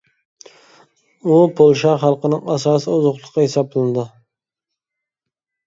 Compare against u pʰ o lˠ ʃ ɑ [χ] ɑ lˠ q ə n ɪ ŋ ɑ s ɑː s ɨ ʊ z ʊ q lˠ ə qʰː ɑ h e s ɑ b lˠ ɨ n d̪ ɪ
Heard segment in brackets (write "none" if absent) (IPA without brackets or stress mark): χ